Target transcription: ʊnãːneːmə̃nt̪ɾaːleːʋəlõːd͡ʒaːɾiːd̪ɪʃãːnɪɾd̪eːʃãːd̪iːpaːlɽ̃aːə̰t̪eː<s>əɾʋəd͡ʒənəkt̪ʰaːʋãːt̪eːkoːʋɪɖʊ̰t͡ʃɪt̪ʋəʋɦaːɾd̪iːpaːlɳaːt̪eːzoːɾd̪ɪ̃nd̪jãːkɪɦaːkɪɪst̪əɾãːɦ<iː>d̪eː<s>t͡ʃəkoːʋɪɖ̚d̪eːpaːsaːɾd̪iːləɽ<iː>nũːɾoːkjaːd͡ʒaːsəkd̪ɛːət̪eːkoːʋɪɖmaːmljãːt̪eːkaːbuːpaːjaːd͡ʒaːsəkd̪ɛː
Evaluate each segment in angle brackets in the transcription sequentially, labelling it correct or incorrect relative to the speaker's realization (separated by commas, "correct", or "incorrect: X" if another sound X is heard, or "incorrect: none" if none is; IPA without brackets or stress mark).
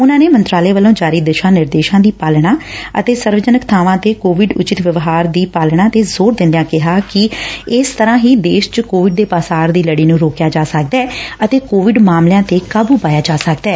correct, correct, incorrect: ʃ, correct